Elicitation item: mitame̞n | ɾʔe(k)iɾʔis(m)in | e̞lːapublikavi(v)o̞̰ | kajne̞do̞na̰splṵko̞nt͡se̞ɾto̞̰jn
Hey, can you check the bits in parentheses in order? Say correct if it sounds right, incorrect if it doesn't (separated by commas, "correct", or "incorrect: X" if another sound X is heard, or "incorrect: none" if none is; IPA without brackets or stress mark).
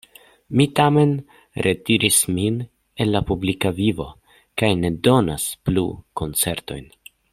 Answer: incorrect: t, correct, correct